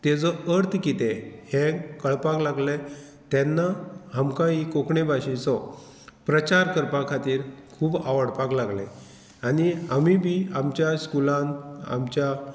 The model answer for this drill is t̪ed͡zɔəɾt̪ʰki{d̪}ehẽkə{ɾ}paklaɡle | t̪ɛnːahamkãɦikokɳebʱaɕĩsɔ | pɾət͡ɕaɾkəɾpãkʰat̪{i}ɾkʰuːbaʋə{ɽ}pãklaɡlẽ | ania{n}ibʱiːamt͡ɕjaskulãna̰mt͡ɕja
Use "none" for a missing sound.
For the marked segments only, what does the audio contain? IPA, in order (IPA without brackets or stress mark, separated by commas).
t̪, ɭ, iː, ɽ, m